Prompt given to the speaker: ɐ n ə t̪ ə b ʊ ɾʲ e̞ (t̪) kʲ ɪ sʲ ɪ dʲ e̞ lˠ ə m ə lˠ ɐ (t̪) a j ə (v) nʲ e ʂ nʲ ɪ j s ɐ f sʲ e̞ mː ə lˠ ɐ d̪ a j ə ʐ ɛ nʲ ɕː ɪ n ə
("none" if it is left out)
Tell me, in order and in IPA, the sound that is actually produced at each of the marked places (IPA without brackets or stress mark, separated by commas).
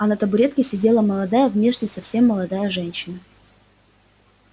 t̪, d̪, v